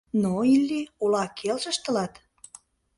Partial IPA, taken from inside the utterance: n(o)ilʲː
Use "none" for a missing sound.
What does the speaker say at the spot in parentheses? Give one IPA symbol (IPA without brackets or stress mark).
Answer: o